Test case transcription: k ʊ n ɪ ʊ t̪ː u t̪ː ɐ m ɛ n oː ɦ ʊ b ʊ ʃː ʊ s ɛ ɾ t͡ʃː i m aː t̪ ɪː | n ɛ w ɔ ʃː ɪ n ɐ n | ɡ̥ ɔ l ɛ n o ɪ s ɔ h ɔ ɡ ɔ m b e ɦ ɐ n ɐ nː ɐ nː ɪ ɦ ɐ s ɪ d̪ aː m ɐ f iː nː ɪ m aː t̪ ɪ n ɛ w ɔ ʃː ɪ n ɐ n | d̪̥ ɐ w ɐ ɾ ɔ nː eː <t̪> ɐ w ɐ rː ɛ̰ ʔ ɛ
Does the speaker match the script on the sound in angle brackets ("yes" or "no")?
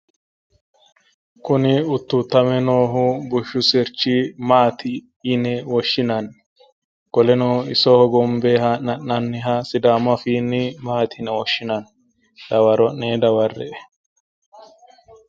no